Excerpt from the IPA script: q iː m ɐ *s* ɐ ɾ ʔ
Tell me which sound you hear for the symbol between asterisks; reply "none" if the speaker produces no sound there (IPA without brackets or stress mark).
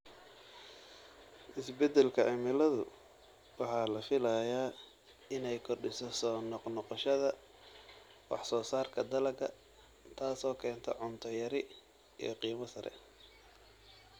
s